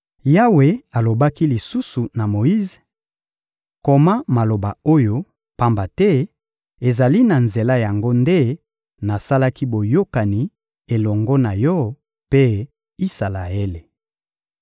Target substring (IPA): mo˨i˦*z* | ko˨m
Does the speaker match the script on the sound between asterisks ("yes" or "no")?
yes